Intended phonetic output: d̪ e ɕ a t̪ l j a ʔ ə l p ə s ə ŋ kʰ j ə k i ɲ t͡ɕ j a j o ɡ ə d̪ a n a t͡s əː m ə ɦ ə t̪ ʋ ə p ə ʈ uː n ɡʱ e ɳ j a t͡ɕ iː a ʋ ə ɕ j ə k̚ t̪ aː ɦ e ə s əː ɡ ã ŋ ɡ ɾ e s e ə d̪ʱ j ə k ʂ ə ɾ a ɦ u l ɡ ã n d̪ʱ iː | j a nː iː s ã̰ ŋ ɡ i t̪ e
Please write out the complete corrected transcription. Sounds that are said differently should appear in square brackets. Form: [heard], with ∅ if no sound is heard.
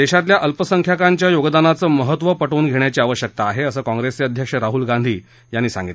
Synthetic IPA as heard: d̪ e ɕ a t̪ l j a ʔ ə l p ə s ə ŋ kʰ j [a] k [a] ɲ t͡ɕ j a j o ɡ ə d̪ a n a t͡s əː m ə ɦ ə t̪ ʋ ə p ə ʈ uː n ɡʱ e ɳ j a t͡ɕ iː a ʋ ə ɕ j ə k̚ t̪ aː ɦ e ə s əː [k] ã ŋ ɡ ɾ e s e ə d̪ʱ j ə k ʂ ə ɾ a ɦ u l ɡ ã n d̪ʱ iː | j a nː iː s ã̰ ŋ ɡ i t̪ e